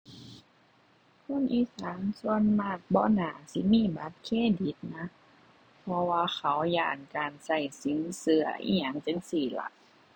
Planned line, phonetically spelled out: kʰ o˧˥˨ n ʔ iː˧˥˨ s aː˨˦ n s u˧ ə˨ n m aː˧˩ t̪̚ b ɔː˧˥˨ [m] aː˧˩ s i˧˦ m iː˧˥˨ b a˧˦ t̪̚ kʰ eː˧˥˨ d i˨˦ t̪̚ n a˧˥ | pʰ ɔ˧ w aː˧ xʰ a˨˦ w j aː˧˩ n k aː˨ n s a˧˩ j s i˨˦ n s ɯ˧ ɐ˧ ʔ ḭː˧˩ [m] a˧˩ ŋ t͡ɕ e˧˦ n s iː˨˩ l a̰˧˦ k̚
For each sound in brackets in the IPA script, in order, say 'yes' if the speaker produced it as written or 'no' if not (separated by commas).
no, no